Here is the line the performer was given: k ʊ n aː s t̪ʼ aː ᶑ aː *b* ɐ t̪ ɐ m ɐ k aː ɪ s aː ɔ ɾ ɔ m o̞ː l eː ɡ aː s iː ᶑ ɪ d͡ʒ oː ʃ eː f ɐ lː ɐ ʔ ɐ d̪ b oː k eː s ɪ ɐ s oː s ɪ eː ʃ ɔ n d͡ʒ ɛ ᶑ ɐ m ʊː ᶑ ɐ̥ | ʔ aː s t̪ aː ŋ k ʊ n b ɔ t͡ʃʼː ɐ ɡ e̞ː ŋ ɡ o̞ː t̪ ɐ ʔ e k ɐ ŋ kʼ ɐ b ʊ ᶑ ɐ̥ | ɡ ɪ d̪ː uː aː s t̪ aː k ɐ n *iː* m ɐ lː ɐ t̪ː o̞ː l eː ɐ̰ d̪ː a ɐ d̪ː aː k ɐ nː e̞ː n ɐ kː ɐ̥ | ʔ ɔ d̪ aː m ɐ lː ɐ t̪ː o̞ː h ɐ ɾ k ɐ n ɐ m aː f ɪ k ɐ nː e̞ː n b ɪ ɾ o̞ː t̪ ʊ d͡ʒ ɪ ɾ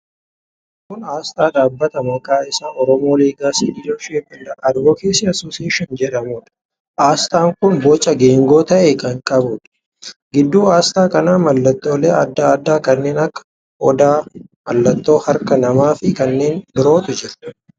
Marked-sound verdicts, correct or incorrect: incorrect: bː, incorrect: aː

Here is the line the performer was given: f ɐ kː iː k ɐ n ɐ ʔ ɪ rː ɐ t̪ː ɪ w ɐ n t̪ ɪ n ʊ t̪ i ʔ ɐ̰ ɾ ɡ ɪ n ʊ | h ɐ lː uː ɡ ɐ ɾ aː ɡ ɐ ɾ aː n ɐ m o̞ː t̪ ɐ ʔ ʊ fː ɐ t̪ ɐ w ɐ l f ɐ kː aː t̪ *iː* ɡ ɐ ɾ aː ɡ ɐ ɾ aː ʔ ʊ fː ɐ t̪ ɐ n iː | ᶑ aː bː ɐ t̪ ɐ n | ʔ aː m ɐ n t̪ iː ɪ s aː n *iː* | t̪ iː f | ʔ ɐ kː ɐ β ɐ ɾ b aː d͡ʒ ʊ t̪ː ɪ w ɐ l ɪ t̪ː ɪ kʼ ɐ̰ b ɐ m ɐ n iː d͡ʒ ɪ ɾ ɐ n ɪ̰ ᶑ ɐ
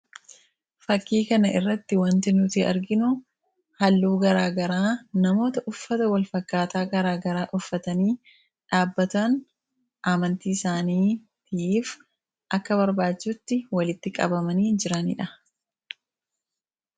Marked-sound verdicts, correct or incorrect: incorrect: aː, correct

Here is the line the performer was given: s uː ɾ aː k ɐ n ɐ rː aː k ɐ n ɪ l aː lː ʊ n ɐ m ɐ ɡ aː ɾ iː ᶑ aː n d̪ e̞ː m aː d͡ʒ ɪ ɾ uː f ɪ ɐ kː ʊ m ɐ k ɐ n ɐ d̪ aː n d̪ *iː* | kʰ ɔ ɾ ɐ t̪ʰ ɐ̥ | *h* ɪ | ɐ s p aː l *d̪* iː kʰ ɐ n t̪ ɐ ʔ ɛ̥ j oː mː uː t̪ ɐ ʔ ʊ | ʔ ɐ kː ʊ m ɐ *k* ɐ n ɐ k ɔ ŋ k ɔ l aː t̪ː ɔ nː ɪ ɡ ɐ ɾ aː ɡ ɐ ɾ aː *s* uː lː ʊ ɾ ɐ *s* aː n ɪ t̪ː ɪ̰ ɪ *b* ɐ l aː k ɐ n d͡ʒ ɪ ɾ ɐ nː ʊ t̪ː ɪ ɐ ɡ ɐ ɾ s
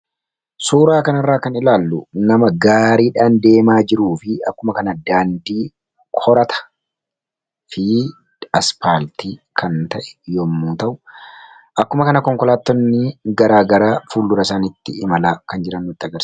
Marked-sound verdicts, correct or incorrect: correct, incorrect: f, incorrect: t̪, correct, incorrect: f, correct, incorrect: m

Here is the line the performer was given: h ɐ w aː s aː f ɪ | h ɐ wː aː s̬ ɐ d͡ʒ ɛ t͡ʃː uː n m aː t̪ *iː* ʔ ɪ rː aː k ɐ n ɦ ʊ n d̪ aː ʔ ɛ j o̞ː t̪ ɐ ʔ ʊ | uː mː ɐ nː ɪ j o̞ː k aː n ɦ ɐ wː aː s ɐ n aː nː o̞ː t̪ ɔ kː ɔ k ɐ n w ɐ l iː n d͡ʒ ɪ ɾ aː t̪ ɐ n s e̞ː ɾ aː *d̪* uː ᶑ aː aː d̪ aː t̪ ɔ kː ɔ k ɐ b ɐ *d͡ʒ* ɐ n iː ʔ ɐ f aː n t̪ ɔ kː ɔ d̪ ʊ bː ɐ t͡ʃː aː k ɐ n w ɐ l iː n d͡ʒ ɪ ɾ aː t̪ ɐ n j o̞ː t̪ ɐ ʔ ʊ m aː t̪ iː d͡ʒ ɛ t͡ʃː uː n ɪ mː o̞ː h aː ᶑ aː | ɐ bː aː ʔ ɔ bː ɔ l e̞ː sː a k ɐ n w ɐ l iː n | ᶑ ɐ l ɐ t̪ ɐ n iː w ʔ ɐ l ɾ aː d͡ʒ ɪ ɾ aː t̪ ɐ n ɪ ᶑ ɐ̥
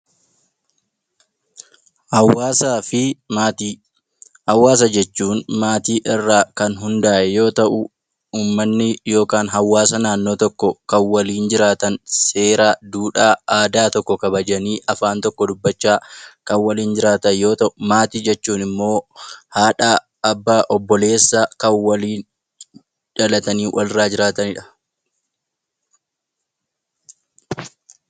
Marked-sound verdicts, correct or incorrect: correct, correct, correct

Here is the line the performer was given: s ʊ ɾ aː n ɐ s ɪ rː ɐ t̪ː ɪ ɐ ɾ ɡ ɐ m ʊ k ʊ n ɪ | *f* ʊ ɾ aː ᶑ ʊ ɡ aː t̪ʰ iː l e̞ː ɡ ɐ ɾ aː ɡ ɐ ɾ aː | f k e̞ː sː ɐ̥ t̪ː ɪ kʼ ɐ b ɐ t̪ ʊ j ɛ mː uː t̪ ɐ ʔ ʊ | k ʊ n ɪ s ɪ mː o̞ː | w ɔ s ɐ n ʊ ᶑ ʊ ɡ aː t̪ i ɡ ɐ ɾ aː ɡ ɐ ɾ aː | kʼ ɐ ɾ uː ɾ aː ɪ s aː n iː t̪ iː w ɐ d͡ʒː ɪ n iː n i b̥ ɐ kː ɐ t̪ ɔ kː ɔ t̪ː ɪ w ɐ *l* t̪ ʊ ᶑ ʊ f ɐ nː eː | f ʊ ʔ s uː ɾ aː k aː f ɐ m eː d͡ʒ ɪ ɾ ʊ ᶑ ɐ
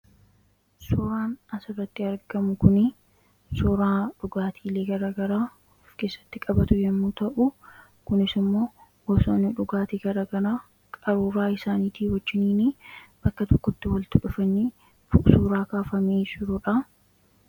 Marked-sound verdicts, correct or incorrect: incorrect: s, correct

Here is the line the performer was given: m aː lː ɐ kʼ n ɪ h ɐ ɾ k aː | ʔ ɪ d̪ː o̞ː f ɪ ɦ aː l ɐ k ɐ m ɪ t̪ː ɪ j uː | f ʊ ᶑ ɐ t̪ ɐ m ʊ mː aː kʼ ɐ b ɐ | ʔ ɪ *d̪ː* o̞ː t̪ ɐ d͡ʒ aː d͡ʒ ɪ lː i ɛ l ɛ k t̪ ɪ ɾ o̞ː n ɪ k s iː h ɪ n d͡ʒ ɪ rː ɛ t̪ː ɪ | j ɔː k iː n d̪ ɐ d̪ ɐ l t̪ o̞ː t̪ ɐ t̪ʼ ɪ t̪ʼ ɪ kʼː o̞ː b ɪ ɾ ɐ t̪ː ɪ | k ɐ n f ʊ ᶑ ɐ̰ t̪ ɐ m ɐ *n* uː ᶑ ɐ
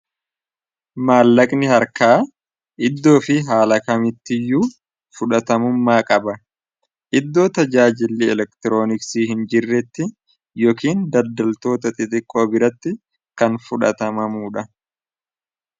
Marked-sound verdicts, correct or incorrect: correct, incorrect: m

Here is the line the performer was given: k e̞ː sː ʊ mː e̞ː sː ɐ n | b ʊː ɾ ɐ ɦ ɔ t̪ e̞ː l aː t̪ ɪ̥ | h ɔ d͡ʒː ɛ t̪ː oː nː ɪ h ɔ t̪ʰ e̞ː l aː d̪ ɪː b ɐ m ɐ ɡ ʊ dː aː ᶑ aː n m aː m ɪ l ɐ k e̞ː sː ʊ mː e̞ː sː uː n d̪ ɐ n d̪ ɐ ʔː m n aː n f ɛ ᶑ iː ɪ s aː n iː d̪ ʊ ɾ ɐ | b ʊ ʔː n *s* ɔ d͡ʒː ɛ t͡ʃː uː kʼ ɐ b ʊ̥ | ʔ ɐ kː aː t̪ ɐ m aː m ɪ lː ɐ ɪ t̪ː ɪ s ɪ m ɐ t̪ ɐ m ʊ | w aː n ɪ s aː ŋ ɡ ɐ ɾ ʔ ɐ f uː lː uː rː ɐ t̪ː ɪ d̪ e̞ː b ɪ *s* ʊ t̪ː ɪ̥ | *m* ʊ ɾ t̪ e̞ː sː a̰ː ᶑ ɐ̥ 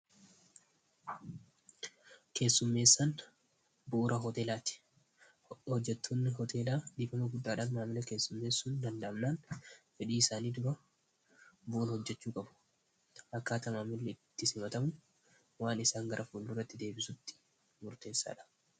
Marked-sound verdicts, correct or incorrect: incorrect: h, correct, correct

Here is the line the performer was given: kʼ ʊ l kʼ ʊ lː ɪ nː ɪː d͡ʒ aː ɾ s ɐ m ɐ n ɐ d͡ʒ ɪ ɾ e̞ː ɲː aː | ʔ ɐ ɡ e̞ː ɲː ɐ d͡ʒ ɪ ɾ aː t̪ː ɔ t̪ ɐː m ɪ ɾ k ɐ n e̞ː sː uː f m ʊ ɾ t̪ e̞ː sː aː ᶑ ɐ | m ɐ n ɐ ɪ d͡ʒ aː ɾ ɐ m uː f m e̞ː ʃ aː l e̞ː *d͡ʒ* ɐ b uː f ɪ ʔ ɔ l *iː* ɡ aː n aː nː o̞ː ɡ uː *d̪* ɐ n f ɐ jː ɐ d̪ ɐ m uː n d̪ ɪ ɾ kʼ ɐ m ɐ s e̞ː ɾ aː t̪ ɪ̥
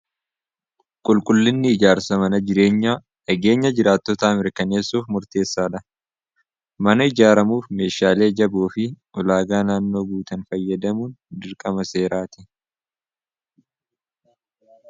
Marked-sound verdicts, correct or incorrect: correct, incorrect: aː, incorrect: t̪

